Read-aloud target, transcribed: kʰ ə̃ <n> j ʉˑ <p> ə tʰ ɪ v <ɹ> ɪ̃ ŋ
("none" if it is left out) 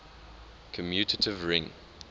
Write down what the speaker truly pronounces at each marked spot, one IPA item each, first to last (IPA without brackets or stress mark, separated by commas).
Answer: m, t, ɹ